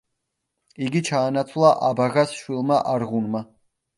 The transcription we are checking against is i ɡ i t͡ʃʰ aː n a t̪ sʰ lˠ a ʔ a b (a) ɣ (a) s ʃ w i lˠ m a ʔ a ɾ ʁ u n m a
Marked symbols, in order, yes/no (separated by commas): yes, yes